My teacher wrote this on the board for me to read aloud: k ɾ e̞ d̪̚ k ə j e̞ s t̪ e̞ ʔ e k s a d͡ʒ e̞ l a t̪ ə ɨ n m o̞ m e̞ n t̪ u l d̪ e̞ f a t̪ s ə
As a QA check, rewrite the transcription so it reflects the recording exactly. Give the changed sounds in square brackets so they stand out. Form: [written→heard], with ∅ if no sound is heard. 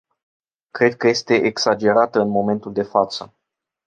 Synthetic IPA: k ɾ e̞ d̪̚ k ə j e̞ s t̪ e̞ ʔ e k s a d͡ʒ e̞ [l→ɾ] a t̪ ə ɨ n m o̞ m e̞ n t̪ u l d̪ e̞ f a t̪ s ə